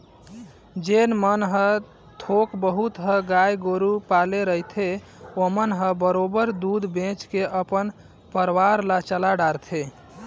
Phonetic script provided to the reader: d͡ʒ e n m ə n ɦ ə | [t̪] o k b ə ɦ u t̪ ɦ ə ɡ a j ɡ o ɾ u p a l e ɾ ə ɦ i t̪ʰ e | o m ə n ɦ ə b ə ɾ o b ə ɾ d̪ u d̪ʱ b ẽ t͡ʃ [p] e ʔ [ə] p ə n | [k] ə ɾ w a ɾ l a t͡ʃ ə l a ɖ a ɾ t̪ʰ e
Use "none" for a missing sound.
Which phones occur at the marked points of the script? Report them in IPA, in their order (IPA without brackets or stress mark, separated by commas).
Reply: t̪ʰ, k, ə, p